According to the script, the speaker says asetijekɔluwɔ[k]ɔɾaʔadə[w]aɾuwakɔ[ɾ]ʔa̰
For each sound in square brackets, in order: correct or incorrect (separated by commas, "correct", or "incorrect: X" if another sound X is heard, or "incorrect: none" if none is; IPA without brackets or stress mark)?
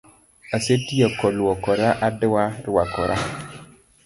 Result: correct, correct, correct